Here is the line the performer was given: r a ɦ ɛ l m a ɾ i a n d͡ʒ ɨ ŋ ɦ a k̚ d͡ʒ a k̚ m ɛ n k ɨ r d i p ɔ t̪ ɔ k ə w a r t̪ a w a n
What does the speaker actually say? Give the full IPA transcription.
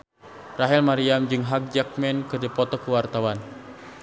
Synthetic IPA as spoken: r a ɦ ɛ l m a ɾ i a m d͡ʒ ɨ ŋ ɦ a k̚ d͡ʒ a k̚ m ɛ n k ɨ r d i p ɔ t̪ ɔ k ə w a r t̪ a w a n